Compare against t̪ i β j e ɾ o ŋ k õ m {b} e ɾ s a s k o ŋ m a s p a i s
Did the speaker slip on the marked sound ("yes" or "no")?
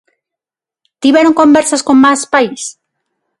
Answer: no